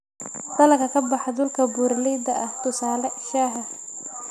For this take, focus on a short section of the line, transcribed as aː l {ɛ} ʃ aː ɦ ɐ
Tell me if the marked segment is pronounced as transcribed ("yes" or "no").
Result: yes